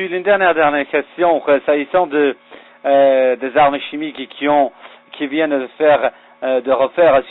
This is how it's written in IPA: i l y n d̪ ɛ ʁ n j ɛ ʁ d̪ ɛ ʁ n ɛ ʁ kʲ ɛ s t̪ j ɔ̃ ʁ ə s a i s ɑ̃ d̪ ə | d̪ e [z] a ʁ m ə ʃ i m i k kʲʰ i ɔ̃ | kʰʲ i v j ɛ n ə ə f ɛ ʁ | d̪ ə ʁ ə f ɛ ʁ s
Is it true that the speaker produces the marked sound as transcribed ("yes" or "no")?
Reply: yes